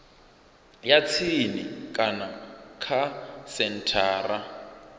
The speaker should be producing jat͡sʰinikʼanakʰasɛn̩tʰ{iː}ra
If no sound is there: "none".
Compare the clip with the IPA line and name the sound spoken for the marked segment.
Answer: aː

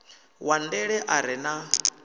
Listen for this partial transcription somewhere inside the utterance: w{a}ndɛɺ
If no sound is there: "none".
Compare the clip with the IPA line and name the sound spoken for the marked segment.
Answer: a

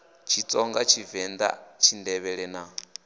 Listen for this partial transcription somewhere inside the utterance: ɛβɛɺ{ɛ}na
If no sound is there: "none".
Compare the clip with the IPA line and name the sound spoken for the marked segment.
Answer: ɛ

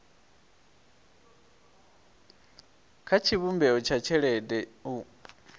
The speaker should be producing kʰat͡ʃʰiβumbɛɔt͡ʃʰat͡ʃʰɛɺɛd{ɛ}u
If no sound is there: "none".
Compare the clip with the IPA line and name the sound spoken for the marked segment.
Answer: ɛ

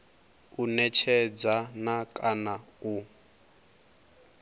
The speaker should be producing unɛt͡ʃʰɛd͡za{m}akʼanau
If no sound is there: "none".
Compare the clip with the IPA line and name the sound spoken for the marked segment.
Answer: n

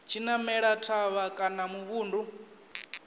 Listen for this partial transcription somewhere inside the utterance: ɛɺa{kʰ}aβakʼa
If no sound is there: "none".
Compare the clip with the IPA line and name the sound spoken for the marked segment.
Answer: tʰ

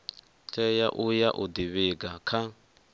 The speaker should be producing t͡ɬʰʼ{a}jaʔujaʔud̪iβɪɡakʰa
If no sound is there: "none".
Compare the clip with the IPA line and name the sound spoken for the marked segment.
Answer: ɛ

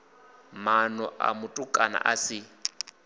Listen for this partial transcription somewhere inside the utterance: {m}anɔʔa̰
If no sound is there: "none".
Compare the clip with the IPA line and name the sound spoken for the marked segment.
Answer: m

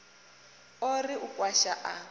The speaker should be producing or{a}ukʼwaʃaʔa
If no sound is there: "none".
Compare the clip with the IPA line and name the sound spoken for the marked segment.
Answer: i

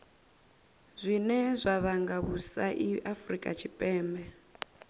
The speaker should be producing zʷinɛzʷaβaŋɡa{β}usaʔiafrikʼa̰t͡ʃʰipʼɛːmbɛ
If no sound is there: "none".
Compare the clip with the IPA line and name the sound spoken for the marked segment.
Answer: β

